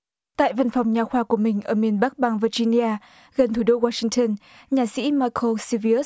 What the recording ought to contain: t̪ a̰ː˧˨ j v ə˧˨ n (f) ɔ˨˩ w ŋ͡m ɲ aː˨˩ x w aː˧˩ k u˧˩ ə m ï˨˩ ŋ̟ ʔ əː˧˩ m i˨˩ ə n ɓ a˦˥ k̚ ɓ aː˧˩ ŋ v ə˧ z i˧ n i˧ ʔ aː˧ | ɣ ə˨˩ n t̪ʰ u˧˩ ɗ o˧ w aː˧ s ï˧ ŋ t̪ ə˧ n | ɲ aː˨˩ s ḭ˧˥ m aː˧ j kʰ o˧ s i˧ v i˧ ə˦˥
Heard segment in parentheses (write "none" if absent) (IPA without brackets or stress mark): f